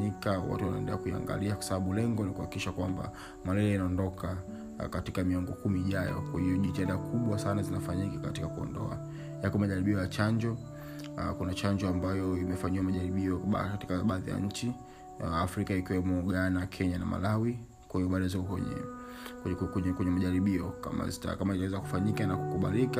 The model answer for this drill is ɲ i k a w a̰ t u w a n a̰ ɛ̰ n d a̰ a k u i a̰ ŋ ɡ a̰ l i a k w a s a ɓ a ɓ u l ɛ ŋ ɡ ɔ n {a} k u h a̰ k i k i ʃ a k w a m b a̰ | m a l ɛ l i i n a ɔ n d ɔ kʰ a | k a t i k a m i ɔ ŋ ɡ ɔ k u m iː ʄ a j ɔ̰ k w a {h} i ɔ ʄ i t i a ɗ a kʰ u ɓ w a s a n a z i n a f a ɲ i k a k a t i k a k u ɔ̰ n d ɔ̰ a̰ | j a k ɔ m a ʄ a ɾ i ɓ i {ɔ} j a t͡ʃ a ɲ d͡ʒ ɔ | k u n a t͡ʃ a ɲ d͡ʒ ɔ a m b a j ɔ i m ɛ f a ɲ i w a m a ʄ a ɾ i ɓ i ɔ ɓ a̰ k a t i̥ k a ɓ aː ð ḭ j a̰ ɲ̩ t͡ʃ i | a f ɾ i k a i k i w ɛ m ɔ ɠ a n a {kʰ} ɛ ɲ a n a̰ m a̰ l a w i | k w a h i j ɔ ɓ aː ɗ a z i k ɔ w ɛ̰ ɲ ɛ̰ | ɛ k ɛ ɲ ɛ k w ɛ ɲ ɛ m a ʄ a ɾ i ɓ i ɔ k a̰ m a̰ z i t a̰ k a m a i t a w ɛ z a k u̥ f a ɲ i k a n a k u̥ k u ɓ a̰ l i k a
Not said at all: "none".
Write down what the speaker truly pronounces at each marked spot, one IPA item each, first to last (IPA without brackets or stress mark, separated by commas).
i, h, ɔ, kʰ